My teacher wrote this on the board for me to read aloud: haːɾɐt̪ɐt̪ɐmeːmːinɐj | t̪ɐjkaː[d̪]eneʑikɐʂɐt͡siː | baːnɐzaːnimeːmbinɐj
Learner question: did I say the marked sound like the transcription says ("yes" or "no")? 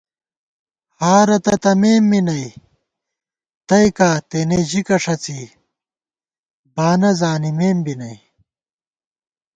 no